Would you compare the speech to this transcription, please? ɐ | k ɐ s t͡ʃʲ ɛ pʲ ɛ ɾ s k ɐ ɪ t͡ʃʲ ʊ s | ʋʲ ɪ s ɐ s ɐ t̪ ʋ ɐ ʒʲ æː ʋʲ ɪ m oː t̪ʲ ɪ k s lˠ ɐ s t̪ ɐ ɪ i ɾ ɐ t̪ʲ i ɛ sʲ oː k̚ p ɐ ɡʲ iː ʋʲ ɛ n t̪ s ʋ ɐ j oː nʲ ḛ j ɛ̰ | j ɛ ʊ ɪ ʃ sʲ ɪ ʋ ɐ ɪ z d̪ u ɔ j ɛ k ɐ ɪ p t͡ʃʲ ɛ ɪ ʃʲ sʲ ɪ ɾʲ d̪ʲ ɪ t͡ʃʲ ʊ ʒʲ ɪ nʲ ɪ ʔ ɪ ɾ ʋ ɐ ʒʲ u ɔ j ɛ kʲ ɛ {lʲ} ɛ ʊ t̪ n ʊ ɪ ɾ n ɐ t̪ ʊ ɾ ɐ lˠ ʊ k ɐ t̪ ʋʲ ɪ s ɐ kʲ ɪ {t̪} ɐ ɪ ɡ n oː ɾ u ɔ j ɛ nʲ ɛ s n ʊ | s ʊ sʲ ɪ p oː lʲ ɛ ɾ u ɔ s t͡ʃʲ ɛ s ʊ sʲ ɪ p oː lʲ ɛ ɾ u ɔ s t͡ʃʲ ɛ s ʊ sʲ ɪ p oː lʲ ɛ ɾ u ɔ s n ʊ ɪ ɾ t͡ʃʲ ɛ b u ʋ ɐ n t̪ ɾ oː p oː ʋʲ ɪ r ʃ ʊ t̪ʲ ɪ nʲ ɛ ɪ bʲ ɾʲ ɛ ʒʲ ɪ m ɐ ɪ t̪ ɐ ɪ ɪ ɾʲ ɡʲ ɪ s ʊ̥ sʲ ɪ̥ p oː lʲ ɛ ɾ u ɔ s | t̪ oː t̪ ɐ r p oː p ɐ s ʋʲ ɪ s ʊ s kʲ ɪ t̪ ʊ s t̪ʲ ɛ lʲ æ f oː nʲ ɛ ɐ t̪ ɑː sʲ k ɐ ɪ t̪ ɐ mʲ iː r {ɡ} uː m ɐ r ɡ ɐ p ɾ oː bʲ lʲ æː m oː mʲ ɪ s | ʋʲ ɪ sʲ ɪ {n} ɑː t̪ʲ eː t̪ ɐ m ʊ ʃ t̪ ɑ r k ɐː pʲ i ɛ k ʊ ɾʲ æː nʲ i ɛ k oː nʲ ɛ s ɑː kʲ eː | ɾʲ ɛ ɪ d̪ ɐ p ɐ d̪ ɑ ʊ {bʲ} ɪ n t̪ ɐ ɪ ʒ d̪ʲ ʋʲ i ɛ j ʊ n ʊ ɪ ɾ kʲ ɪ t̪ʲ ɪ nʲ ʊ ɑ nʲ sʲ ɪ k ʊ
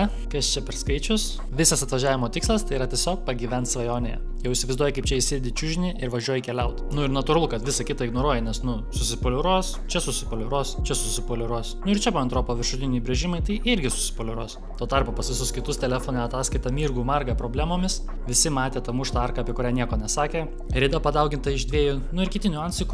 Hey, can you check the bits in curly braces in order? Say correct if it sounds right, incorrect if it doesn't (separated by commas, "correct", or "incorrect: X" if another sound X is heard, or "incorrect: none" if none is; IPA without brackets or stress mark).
correct, correct, correct, incorrect: m, incorrect: ɡʲ